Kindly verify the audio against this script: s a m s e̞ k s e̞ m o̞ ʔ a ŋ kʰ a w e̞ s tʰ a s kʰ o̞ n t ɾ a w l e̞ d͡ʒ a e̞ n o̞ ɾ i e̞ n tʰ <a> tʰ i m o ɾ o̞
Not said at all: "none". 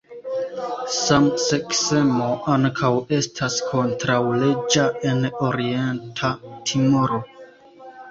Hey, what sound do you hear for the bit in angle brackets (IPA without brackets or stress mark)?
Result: a